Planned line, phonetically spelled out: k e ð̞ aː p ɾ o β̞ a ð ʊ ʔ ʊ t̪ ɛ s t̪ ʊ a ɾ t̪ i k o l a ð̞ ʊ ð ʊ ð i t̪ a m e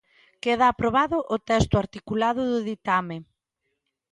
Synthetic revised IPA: k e ð̞ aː p ɾ o β̞ a ð ʊ ʔ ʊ t̪ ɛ s t̪ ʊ a ɾ t̪ i k u l a ð̞ ʊ ð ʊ ð i t̪ a m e